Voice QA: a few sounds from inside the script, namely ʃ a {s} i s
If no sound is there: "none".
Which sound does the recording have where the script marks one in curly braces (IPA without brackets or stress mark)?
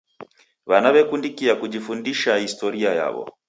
h